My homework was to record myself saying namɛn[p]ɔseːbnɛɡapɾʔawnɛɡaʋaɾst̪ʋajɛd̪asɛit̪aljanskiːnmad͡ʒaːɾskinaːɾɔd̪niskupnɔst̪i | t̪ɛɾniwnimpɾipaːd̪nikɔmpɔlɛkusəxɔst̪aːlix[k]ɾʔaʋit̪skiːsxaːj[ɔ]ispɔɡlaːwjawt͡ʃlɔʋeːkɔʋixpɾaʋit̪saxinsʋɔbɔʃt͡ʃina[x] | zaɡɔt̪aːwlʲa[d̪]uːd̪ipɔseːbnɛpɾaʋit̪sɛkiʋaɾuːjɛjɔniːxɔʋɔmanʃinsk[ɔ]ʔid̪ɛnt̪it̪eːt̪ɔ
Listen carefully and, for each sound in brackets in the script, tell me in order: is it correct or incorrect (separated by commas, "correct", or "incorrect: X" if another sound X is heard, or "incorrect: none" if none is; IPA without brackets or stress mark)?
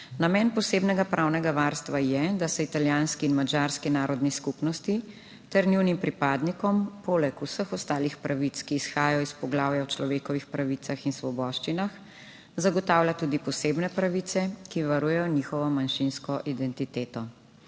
correct, incorrect: p, correct, correct, incorrect: t̪, correct